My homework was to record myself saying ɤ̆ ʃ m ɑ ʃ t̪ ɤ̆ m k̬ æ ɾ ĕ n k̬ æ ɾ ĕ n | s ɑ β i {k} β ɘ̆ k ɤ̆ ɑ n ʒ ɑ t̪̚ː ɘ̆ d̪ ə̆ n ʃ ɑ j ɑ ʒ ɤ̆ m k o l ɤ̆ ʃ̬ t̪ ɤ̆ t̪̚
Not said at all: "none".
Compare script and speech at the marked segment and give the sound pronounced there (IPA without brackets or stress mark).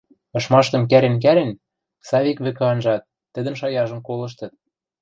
k